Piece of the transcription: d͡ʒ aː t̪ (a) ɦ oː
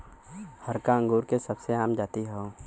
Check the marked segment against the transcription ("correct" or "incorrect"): incorrect